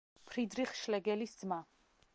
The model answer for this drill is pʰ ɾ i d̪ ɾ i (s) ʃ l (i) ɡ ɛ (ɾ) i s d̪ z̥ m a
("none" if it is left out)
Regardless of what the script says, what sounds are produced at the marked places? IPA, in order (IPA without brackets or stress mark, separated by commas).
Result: χ, ɛ, l